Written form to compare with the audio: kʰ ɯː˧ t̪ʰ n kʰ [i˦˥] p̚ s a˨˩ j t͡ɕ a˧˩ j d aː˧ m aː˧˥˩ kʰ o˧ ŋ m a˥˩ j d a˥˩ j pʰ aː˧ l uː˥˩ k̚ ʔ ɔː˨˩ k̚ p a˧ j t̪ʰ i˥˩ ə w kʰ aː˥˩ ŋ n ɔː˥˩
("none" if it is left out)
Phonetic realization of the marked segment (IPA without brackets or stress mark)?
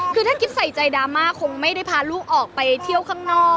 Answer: i˦˥